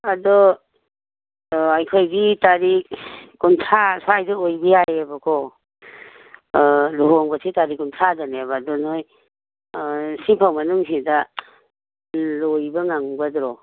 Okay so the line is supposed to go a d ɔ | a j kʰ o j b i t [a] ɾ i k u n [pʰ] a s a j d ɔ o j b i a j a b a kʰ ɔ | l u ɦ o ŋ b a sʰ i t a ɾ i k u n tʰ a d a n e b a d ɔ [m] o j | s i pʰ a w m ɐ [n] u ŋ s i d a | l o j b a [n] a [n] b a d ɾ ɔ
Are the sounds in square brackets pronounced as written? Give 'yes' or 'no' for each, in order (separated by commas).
yes, no, no, yes, no, no